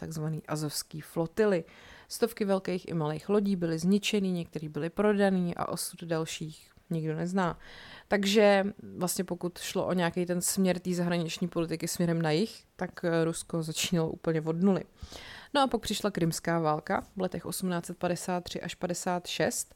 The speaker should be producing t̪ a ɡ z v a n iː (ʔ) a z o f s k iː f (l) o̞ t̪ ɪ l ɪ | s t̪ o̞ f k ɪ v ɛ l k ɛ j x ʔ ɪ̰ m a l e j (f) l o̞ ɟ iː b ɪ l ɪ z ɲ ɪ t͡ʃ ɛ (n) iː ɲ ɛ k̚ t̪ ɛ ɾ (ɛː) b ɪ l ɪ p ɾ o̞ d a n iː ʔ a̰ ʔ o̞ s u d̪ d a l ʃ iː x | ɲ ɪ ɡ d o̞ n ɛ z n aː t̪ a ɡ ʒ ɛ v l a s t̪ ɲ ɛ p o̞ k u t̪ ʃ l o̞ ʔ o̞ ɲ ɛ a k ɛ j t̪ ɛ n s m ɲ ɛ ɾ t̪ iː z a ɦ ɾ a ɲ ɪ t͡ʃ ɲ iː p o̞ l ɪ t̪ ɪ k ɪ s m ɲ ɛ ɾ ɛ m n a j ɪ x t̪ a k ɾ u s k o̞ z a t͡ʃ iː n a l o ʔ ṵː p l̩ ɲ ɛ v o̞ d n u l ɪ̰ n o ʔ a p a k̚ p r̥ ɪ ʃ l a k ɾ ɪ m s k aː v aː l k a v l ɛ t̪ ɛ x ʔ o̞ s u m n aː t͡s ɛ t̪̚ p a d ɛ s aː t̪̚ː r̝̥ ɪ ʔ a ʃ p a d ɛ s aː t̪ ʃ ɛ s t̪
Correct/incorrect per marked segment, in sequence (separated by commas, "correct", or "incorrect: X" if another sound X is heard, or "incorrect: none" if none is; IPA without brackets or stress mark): correct, correct, incorrect: x, correct, incorrect: iː